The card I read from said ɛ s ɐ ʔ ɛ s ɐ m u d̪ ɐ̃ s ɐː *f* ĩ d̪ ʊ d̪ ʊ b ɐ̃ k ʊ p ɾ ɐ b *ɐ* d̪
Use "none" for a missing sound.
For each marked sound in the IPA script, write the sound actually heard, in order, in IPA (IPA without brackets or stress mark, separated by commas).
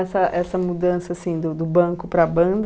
s, ɐ̃